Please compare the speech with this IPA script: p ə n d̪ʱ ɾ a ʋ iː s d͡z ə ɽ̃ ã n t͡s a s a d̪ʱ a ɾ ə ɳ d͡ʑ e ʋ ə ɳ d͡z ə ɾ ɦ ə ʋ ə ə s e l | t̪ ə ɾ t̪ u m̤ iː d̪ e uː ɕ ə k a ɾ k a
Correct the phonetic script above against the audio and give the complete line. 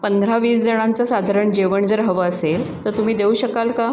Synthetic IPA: p ə n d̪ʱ ɾ a ʋ iː s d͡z ə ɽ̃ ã n t͡s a s a d̪ʱ a ɾ ə ɳ d͡ʑ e ʋ ə ɳ d͡z ə ɾ ɦ ə ʋ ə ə s e l | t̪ ə ɾ t̪ u m̤ iː d̪ e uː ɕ ə k a l k a

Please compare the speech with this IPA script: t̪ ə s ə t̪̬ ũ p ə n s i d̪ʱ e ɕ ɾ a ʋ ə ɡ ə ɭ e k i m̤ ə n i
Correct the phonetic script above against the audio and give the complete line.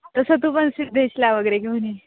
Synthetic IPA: t̪ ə s ə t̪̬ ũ p ə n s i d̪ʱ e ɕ l a ʋ ə ɡ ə ɾ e k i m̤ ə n i

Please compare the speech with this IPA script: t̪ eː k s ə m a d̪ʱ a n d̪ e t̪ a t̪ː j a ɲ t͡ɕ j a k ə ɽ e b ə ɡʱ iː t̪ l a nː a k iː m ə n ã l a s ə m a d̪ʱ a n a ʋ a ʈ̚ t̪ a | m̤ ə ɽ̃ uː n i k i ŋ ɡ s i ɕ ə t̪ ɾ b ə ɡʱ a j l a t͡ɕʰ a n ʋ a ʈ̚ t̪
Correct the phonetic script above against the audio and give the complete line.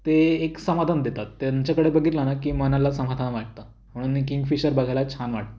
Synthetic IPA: t̪ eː k s ə m a d̪ʱ a n d̪ e t̪ a t̪ː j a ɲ t͡ɕ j a k ə ɽ e b ə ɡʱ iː t̪ l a n a k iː m ə n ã l a s ə m a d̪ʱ a n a ʋ a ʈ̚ t̪ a | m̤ ə ɽ̃ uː n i k i ŋ ɡ f i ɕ ə ɾ b ə ɡʱ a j l a t͡ɕʰ a n ʋ a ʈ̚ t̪

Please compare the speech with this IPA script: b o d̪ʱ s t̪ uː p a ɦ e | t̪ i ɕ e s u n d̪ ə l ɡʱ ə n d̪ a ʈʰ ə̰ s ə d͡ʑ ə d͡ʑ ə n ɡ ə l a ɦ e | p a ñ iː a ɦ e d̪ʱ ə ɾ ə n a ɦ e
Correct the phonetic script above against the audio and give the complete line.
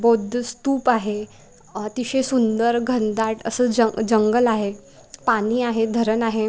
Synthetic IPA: b o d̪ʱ s t̪ uː p a ɦ e | t̪ i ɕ e s u n d̪ ə ɾ ɡʱ ə n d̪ a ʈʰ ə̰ s ə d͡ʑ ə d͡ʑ ə ŋ ɡ ə l a ɦ e | p a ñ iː a ɦ e d̪ʱ ə ɾ ə n a ɦ e

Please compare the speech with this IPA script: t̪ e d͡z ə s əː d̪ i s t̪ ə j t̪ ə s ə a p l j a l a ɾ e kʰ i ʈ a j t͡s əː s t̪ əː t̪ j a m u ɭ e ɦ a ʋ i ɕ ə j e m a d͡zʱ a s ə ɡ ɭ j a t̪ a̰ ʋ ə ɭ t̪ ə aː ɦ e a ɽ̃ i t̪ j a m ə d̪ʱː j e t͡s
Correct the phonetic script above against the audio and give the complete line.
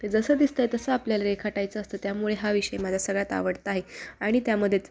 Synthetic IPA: t̪ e d͡z ə s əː d̪ i s t̪ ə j t̪ ə s ə a p l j a l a ɾ e kʰ a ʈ a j t͡s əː s t̪ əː t̪ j a m u ɭ e ɦ a ʋ i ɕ ə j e m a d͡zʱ a s ə ɡ ɭ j a t̪ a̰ ʋ ə ɽ t̪ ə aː ɦ e a ɽ̃ i t̪ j a m ə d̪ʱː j e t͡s

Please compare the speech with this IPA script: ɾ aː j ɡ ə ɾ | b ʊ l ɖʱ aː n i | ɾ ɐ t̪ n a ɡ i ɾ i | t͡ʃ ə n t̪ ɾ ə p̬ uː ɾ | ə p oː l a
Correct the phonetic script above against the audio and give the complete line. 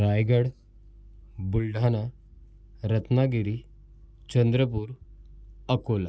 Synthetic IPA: ɾ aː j ɡ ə ɽ | b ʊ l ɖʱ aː n a | ɾ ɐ t̪ n a ɡ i ɾ i | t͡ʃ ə n d̪ ɾ ə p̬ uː ɾ | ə k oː l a

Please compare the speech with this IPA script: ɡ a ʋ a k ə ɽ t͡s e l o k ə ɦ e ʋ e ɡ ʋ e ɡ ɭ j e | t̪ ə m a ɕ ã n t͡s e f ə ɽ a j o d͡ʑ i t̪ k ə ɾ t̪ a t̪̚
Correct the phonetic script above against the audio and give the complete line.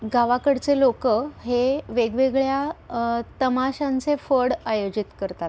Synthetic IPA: ɡ a ʋ a k ə ɽ t͡s e l o k ə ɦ e ʋ e ɡ ʋ e ɡ ɭ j a | t̪ ə m a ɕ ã n t͡s e f ə ɽ a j o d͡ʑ i t̪ k ə ɾ t̪ a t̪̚

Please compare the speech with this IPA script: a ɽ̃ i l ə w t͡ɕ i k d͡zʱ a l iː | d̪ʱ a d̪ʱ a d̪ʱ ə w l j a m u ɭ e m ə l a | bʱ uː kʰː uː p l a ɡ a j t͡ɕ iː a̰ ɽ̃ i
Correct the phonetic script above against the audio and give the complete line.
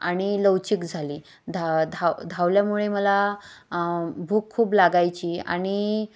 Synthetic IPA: a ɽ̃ i l ə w t͡ɕ i k d͡zʱ a l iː | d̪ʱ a d̪ʱ a d̪ʱ a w l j a m u ɭ e m ə l a | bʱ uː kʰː uː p l a ɡ a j t͡ɕ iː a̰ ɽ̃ i

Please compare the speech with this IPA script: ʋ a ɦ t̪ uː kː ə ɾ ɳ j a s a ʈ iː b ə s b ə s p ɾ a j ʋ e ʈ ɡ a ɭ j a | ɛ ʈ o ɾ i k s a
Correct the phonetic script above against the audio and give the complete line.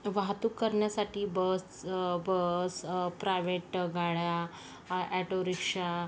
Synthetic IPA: ʋ a ɦ t̪ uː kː ə ɾ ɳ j a s a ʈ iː b ə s b ə s p ɾ a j ʋ e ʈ ɡ a ɭ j a | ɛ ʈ o ɾ i k ʂ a

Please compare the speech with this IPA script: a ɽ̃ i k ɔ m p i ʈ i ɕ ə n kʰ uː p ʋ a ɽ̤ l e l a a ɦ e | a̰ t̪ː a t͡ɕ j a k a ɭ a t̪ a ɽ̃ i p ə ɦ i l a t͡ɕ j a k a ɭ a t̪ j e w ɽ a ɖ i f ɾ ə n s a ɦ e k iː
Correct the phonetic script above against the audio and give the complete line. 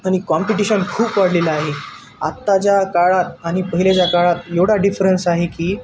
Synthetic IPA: a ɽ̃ i k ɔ m p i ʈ i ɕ ə n kʰ uː p ʋ a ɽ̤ l e l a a ɦ e | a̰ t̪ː a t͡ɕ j a k a ɭ a t̪ a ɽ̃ i p ə ɦ i l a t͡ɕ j a k a ɭ a t̪ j e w ɽ a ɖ i f ɾ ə n s a ɦ e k iː

